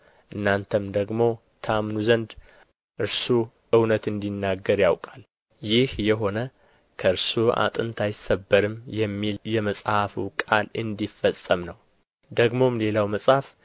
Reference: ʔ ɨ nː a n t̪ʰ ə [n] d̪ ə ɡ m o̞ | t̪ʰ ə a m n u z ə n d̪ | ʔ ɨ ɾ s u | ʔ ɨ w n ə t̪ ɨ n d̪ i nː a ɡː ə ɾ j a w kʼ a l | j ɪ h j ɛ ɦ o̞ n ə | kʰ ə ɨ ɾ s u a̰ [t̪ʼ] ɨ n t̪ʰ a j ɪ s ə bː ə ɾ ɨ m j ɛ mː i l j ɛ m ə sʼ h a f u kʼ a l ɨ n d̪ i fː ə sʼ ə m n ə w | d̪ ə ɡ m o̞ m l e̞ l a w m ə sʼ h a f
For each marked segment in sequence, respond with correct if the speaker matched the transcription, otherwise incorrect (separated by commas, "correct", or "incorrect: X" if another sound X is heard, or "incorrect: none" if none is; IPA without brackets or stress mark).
incorrect: m, correct